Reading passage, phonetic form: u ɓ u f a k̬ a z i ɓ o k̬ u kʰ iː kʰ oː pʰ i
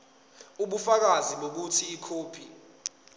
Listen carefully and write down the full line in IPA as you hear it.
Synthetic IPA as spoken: u ɓ u f a k̬ a z i ɓ o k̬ u tʰ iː kʰ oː pʰ i